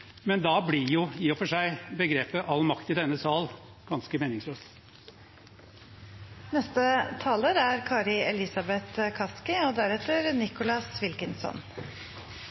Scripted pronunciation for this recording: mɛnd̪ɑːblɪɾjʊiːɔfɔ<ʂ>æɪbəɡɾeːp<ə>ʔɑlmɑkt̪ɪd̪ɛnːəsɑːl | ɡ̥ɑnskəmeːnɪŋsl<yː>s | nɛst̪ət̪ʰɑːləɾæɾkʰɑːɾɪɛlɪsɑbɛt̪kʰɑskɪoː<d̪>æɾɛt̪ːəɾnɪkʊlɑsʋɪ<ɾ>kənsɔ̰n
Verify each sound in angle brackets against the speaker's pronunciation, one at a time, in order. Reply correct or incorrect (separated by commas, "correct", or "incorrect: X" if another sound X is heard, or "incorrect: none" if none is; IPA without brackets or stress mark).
correct, correct, incorrect: øː, correct, incorrect: l